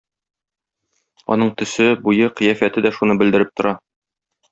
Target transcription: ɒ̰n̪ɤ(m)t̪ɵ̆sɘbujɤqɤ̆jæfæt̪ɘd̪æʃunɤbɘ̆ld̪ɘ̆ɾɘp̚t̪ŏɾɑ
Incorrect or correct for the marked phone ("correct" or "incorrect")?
incorrect